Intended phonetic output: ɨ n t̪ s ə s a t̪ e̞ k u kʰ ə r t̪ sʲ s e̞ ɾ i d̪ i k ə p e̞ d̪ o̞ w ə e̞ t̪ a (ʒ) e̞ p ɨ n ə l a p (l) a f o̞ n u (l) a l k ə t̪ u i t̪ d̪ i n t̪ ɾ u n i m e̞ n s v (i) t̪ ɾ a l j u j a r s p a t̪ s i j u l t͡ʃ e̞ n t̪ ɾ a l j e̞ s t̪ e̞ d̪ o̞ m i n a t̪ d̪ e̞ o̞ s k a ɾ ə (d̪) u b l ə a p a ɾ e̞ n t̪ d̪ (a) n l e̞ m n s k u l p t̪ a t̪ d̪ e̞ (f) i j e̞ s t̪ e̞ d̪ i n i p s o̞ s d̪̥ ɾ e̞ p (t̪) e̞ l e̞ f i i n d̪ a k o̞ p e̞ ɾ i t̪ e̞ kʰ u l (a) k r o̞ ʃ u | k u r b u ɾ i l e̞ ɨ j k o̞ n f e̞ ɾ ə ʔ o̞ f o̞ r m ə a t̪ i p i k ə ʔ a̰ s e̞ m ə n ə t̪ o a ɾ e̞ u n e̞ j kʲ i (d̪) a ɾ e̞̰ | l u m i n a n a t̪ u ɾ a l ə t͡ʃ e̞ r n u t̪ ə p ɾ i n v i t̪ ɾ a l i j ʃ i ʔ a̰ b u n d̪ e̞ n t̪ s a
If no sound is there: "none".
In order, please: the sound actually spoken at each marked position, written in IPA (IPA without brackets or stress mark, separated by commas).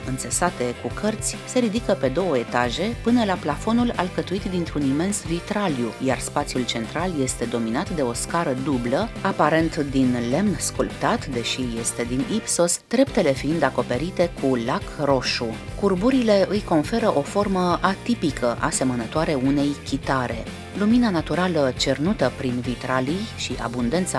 ʒ, l, l, i, d̪, i, ʃ, t̪, a, t̪